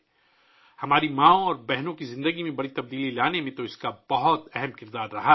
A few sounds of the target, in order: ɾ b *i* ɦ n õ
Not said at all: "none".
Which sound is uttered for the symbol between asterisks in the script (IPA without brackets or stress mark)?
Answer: ɛ